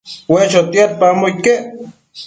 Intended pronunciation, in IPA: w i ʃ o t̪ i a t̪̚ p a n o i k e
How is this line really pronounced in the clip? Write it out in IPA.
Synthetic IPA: w e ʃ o t̪ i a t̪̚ p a m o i k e